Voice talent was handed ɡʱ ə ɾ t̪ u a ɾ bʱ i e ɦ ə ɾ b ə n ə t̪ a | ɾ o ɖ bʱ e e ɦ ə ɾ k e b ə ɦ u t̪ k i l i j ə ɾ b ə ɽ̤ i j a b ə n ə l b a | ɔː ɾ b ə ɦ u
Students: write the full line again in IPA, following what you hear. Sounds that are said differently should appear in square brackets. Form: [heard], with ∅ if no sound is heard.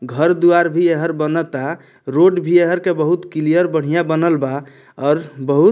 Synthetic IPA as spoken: ɡʱ ə ɾ [d̪] u a ɾ bʱ i e ɦ ə ɾ b ə n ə t̪ a | ɾ o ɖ bʱ [i] e ɦ ə ɾ k e b ə ɦ u t̪ k i l i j ə ɾ b ə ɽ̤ i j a b ə n ə l b a | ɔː ɾ b ə ɦ u